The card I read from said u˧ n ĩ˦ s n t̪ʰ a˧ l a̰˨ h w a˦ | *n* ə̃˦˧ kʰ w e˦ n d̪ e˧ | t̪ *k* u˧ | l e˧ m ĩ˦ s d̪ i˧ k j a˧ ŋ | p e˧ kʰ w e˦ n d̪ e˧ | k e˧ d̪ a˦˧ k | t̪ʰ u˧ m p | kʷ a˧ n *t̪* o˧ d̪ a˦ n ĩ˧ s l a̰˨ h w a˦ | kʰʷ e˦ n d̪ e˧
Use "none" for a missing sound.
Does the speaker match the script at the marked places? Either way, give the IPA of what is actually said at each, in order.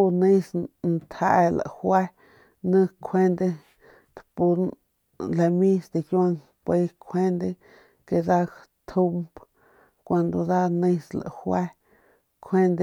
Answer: n, p, d̪

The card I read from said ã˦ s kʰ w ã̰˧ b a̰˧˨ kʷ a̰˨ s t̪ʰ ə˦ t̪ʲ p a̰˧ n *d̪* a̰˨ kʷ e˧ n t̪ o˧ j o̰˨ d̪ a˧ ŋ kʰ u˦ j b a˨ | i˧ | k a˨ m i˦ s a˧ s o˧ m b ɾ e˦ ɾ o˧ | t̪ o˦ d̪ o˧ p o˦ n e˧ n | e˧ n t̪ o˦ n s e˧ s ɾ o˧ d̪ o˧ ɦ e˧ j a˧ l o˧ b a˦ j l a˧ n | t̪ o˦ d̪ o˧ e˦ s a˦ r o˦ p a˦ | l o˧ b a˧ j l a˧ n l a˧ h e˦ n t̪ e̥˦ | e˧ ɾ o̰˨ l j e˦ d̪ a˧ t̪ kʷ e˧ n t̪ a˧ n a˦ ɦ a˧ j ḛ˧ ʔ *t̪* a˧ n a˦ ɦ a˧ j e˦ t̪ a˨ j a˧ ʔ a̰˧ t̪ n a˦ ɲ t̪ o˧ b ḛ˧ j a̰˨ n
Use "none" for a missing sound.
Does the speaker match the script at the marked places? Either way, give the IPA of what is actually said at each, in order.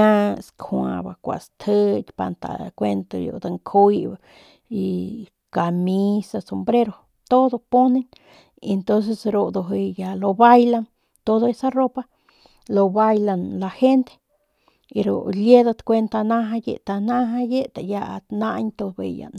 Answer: t̪, t̪

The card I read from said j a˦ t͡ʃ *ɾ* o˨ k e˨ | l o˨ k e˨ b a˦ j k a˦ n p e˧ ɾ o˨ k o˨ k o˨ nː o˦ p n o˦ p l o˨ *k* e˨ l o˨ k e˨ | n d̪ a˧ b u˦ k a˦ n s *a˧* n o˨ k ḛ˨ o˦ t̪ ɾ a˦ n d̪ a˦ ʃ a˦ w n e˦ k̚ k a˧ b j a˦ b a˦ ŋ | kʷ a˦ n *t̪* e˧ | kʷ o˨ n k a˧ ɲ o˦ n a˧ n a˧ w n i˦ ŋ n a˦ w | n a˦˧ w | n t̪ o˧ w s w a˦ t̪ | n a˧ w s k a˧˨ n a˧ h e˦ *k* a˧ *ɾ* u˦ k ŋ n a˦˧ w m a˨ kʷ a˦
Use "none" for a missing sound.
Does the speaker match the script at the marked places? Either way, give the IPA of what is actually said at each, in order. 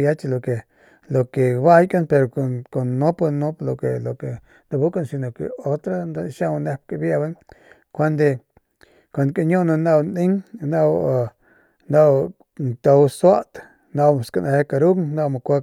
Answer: l, k, i˧, d̪, k, ɾ

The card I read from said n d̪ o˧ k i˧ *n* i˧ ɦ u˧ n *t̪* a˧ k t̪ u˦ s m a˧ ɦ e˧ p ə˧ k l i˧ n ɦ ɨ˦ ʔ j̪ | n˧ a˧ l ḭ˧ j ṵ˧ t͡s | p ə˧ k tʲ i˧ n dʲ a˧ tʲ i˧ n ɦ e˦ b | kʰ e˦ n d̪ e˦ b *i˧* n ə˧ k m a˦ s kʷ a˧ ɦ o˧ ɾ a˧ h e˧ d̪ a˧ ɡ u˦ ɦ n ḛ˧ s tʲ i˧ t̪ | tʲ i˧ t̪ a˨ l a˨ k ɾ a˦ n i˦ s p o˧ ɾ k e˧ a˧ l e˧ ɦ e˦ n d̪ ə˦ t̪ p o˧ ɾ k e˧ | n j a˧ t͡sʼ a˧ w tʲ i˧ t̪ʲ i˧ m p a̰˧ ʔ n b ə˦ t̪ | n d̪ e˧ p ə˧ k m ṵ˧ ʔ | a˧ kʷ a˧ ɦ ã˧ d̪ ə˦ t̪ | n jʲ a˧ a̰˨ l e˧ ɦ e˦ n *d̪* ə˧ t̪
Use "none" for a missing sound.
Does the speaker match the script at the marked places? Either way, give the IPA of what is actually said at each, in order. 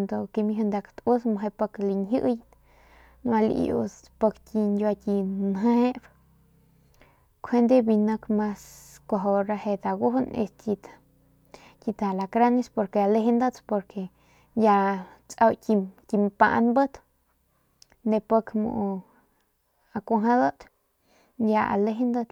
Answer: m, d̪, i˧, d̪

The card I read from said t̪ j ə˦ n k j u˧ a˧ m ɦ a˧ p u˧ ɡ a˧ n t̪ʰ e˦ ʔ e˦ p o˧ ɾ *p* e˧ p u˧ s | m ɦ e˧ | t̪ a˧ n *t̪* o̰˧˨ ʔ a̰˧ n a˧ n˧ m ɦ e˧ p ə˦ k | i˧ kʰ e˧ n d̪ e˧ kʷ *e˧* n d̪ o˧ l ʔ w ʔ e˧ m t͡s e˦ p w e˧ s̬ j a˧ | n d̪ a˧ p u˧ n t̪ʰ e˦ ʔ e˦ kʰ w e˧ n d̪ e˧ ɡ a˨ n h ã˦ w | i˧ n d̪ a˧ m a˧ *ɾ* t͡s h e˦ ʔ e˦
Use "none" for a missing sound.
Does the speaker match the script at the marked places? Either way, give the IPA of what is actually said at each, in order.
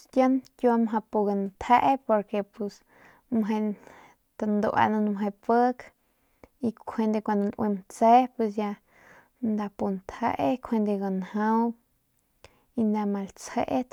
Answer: k, d̪, a˧, l

